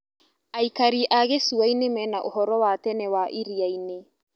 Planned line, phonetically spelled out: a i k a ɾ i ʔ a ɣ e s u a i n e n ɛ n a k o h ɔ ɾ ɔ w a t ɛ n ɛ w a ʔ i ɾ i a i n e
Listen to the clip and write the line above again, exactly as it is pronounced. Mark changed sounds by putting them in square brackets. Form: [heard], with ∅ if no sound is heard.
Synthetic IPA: a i k a ɾ i ʔ a ɣ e s u a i n e [m] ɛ n a [ʔ] o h ɔ ɾ ɔ w a t ɛ n ɛ w a ʔ i ɾ i a i n e